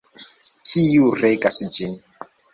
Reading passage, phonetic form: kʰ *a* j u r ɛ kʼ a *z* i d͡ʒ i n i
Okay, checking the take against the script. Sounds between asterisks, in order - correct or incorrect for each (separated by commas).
incorrect, incorrect